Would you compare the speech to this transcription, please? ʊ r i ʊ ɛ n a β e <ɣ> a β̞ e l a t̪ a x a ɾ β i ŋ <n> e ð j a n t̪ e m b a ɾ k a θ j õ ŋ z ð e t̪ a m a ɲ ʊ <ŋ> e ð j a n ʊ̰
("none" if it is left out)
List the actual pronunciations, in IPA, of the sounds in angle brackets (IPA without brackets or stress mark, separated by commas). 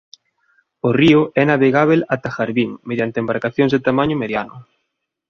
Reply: ɣ, m, m